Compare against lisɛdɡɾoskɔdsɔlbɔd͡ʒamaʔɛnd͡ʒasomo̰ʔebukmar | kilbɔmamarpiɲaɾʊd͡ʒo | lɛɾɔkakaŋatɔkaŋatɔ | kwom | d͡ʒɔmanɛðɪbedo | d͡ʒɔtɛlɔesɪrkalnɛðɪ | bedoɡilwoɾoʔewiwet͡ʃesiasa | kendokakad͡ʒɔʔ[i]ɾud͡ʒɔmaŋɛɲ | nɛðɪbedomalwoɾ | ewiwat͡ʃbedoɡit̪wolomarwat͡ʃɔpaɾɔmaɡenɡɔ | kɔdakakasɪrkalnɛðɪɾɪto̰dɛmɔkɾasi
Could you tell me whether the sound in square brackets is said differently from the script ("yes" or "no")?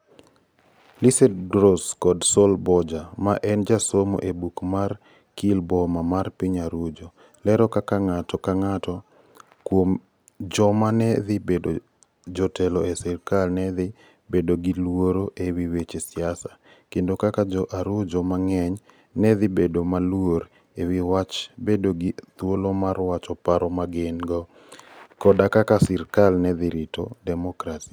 yes